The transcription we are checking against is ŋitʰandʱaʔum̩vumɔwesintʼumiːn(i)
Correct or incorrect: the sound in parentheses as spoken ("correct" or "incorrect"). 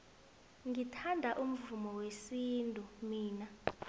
incorrect